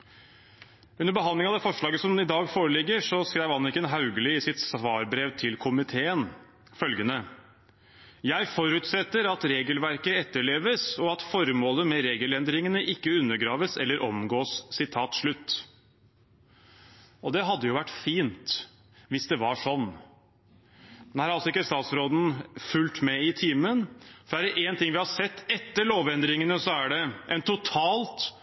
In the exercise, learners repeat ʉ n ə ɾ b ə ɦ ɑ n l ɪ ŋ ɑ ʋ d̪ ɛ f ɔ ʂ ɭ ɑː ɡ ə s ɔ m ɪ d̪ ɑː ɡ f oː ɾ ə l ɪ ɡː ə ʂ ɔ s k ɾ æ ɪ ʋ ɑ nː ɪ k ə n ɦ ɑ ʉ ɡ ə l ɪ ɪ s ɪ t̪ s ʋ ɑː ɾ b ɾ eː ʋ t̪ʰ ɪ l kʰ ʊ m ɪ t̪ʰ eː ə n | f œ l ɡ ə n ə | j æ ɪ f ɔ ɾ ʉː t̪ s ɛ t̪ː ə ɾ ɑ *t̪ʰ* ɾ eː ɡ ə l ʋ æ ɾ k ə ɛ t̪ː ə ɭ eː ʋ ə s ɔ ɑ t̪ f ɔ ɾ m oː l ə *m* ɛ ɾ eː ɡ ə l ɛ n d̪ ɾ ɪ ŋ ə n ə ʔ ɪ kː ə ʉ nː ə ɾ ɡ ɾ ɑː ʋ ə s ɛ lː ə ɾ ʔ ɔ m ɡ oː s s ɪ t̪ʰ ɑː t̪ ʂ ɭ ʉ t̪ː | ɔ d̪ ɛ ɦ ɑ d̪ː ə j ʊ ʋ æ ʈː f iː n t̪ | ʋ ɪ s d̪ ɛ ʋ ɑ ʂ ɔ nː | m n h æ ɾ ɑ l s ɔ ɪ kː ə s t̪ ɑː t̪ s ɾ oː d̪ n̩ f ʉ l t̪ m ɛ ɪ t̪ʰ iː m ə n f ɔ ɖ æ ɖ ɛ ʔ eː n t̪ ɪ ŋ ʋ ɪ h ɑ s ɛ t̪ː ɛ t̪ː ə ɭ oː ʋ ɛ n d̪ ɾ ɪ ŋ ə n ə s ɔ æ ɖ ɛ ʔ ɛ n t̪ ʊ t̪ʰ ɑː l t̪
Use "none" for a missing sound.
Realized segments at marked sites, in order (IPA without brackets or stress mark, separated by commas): t̪, m